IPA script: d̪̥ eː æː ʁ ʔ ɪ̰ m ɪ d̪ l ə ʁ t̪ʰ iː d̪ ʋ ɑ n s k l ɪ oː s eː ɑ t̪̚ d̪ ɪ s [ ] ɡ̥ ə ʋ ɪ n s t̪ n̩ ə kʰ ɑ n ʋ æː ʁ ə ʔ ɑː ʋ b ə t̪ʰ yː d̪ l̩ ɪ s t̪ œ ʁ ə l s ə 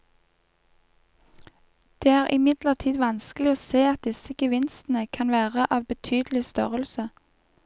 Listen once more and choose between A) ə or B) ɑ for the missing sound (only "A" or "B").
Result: A